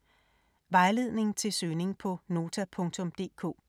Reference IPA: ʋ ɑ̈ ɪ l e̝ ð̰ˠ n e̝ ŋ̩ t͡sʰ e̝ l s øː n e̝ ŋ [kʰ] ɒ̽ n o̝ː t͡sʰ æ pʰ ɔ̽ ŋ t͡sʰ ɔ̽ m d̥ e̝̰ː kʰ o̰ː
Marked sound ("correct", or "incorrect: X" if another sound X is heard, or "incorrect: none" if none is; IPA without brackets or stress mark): incorrect: pʰ